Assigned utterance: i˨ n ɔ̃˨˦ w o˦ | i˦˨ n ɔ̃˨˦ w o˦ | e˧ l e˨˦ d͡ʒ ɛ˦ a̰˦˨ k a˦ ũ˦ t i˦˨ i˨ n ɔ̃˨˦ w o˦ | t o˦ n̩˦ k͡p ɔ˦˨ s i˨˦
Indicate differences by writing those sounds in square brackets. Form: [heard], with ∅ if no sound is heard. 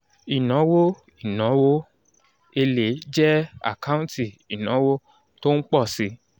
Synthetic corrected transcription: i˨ n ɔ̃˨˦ w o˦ | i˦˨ n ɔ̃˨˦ w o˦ | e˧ l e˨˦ d͡ʒ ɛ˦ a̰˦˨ k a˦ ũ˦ t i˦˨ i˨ n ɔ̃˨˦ w o˦ | t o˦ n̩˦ k͡p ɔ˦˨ s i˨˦